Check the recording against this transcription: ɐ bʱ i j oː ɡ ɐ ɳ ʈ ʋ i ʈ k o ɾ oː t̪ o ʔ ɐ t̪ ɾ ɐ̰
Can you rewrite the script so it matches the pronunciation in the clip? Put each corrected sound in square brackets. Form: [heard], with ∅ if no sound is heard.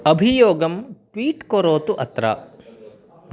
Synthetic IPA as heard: ɐ bʱ i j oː ɡ ɐ [m] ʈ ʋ [iː] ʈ k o ɾ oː t̪ [u] ʔ ɐ t̪ ɾ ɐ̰